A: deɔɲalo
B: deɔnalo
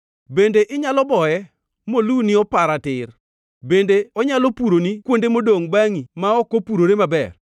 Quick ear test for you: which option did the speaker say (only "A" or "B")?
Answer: A